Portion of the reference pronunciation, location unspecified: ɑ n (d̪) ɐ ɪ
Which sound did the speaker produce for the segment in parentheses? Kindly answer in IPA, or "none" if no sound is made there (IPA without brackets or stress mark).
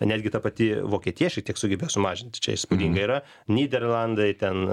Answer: d̪